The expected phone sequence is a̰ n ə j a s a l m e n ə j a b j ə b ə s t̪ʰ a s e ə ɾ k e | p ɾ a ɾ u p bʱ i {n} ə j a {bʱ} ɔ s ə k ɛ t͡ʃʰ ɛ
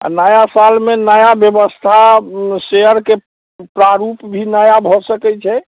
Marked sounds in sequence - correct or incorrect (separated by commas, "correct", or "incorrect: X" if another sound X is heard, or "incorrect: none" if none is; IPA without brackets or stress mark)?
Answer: correct, correct